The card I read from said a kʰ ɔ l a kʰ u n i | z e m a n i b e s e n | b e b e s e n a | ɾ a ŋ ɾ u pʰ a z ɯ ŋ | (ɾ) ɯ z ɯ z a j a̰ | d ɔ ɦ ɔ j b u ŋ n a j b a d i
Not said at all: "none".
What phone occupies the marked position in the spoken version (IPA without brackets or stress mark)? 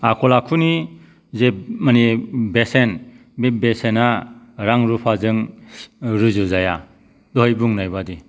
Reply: ɾ